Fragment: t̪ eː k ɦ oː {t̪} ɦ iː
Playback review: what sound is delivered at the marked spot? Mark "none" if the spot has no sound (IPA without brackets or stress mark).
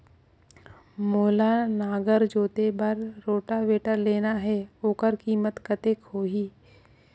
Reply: none